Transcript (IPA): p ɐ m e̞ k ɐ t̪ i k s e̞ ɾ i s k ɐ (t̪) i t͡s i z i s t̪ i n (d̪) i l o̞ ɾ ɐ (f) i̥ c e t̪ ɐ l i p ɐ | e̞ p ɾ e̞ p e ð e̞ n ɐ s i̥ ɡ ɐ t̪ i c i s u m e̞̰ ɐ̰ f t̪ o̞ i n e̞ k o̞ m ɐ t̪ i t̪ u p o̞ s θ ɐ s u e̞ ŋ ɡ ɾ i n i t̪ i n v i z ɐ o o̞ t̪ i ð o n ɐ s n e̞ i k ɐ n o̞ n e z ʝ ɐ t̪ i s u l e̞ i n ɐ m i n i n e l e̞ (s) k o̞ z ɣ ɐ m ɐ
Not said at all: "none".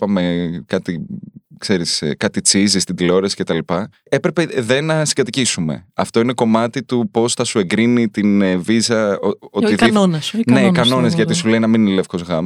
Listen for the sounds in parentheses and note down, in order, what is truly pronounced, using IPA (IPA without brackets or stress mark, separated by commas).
t̪, d̪, s, f